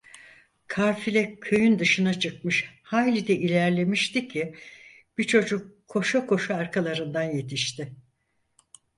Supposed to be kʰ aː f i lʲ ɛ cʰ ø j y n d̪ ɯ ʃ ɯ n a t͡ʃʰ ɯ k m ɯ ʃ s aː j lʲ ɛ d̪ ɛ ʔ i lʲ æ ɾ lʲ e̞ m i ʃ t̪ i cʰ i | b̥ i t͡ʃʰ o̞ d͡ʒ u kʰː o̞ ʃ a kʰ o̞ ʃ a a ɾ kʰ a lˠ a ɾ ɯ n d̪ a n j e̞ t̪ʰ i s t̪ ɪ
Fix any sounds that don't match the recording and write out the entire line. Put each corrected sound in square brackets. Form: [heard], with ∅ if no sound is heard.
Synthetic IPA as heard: kʰ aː f i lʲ ɛ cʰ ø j y n d̪ ɯ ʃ ɯ n a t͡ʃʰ ɯ k m ɯ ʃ [h] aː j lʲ [i] d̪ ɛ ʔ i lʲ æ ɾ lʲ e̞ m i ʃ t̪ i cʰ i | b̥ i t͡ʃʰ o̞ d͡ʒ u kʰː o̞ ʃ a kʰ o̞ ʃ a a ɾ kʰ a lˠ a ɾ ɯ n d̪ a n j e̞ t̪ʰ i [ʃ] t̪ ɪ